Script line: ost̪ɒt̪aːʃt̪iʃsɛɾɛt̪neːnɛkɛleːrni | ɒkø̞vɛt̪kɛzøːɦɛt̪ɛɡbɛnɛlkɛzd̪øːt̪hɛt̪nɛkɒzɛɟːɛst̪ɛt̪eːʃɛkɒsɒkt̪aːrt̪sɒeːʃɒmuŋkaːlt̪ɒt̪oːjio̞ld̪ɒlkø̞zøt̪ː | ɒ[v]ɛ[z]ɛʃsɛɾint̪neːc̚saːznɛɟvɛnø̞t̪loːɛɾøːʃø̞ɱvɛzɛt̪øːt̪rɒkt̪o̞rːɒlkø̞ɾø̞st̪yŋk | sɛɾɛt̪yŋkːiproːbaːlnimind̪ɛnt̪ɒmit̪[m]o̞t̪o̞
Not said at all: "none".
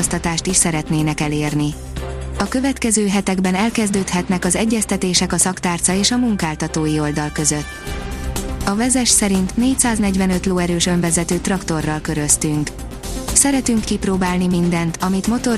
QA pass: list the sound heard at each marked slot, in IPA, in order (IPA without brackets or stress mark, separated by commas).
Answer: v, z, m